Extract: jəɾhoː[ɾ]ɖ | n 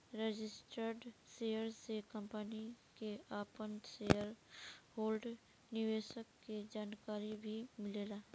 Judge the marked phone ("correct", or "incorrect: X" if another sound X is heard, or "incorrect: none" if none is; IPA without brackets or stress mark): incorrect: l